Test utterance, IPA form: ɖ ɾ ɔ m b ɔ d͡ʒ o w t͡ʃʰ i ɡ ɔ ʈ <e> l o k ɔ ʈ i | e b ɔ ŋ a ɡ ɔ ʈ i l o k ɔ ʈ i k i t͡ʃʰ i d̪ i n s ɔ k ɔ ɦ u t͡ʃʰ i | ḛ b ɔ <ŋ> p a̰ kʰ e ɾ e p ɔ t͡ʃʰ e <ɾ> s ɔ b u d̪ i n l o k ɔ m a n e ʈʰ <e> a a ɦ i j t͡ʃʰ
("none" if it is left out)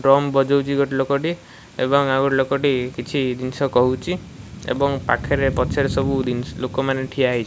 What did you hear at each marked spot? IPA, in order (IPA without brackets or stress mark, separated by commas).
i, ŋ, ɾ, i